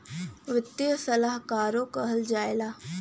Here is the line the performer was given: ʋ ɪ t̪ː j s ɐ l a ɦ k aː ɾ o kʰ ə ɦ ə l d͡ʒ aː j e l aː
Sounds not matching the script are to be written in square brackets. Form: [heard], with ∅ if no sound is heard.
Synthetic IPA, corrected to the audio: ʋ ɪ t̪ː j s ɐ l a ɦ k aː ɾ o [k] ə ɦ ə l d͡ʒ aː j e l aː